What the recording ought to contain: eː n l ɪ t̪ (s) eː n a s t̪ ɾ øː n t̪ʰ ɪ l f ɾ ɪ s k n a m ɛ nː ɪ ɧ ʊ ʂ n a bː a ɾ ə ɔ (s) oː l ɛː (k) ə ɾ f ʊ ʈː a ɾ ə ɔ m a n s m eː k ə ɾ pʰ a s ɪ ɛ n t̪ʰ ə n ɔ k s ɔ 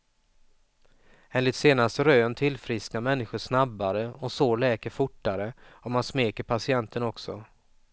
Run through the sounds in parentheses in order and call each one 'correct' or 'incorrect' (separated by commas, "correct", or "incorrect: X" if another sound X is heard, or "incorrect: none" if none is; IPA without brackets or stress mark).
correct, correct, correct